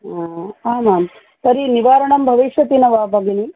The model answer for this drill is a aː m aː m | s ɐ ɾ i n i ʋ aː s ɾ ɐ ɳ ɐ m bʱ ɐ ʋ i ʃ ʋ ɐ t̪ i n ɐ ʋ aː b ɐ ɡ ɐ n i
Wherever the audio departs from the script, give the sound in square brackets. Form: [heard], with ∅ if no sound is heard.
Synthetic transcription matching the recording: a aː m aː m | s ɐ ɾ i n i ʋ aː [∅] ɾ ɐ ɳ ɐ m bʱ ɐ ʋ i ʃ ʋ ɐ t̪ i n ɐ ʋ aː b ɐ ɡ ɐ n i